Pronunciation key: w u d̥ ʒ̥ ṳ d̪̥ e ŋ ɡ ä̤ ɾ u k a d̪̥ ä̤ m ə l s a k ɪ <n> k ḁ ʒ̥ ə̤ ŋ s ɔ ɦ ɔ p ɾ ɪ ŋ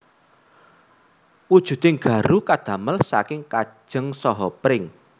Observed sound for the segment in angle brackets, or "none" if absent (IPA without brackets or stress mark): ŋ